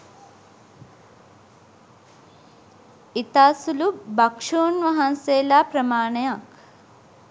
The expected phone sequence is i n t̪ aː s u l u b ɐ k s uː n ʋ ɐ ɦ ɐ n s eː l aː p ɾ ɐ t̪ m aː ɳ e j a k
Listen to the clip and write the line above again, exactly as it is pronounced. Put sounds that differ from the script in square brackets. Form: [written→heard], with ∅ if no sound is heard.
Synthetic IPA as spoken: i [n→∅] t̪ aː s u l u b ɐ k [s→ʂ] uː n ʋ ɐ ɦ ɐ n s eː l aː p ɾ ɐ [t̪→∅] m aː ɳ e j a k